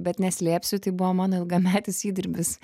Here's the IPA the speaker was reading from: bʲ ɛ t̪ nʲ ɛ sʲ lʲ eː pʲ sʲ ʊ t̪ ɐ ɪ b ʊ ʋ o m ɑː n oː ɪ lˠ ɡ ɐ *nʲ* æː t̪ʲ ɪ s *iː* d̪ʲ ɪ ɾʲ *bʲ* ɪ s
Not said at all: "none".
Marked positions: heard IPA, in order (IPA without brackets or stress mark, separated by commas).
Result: mʲ, iː, bʲ